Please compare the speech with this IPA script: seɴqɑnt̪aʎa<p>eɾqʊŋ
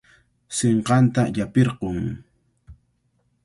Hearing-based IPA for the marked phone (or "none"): p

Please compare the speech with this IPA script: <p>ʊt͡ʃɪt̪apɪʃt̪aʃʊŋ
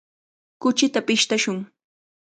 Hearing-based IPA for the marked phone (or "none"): k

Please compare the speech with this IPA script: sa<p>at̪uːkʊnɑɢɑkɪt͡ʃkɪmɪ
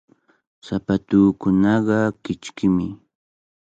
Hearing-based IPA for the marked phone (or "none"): p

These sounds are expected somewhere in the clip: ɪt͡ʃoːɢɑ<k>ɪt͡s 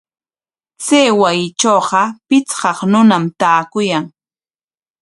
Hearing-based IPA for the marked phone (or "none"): p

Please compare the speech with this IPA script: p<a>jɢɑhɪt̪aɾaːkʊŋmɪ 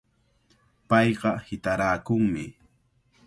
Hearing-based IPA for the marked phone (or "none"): ɑ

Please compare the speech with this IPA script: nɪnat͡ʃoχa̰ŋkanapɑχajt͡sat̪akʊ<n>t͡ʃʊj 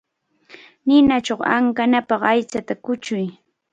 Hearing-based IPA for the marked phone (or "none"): none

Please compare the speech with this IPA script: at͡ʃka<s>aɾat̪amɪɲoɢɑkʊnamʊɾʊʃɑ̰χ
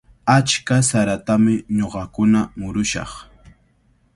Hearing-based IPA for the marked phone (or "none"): s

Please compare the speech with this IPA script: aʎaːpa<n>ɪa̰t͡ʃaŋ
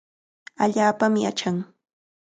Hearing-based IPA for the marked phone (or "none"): m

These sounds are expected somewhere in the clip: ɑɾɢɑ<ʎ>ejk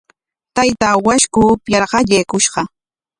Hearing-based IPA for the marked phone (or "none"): ʎ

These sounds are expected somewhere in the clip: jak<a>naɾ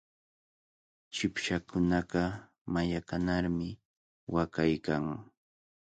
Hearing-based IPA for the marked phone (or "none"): a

